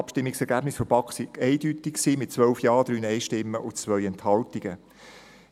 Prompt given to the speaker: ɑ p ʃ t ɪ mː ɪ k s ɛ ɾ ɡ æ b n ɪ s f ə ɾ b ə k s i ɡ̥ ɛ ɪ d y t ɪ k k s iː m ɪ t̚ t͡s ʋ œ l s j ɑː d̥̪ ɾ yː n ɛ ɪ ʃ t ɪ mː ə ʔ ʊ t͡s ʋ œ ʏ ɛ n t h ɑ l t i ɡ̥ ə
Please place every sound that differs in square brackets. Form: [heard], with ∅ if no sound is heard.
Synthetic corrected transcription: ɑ p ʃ t ɪ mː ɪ k s ɛ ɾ ɡ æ b n ɪ s f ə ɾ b [ɑ] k s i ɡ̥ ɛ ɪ d y t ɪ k k s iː m ɪ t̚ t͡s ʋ œ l [f] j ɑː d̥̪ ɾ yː n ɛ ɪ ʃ t ɪ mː ə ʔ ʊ t͡s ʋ œ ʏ ɛ n t h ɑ l t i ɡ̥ ə